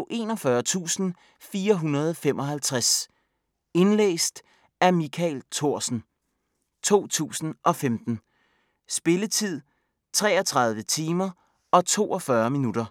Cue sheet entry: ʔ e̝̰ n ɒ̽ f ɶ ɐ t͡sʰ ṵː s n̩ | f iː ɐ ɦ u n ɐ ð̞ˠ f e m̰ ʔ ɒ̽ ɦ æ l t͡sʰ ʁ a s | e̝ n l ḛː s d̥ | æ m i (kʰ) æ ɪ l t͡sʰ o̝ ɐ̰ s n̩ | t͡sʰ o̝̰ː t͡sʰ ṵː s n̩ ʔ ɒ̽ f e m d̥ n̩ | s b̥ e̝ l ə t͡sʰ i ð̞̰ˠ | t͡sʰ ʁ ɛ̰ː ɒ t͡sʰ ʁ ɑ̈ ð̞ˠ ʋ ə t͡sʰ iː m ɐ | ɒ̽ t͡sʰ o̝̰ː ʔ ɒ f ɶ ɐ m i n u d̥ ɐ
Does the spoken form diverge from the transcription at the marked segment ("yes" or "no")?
no